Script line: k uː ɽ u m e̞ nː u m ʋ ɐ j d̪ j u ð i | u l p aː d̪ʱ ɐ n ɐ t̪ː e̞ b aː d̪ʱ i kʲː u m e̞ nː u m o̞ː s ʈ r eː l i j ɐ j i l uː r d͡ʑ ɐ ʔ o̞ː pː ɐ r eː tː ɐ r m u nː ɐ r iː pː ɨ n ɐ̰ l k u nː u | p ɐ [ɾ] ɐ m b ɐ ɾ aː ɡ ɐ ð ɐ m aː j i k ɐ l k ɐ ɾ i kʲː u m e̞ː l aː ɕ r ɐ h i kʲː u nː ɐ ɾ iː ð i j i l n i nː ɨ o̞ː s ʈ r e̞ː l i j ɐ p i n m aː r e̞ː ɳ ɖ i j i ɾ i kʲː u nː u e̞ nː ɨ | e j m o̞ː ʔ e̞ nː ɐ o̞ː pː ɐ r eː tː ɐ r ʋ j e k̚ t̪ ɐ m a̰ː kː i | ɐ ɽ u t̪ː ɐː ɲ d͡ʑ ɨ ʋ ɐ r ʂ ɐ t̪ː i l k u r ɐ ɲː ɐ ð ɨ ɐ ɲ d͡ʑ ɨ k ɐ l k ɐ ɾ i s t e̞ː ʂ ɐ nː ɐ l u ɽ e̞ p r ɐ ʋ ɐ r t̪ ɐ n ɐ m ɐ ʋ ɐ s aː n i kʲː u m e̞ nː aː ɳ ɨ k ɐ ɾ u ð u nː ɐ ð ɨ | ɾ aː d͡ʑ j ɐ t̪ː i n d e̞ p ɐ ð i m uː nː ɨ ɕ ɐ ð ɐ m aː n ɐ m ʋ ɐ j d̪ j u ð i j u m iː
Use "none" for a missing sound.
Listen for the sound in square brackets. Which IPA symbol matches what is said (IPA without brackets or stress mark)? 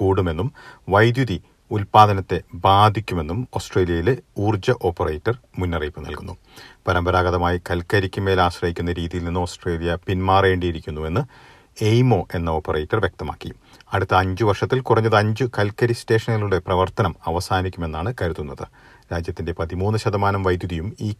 ɾ